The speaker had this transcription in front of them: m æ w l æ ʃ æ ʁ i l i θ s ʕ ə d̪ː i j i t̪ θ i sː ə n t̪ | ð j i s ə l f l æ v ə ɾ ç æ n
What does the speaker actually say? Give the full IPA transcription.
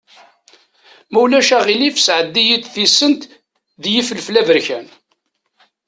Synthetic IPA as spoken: m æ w l æ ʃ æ ʁ i l i f s ʕ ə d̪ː i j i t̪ θ i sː ə n t̪ | ð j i f ə l f l æ v ə ɾ ç æ n